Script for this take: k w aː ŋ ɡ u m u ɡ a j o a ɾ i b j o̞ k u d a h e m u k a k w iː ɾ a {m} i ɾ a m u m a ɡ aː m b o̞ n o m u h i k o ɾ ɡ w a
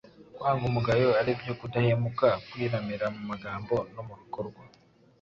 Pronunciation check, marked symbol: correct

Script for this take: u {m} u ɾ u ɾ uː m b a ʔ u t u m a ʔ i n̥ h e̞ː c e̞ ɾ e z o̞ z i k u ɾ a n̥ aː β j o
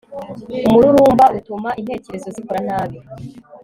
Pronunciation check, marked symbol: correct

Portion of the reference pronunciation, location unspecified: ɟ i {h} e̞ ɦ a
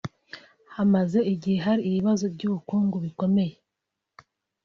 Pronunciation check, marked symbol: correct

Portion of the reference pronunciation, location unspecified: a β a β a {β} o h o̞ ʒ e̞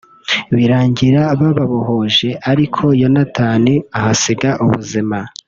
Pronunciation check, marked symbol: correct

